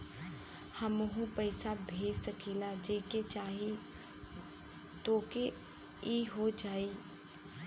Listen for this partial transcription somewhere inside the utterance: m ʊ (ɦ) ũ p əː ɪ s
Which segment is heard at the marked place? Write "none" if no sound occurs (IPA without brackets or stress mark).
ɦ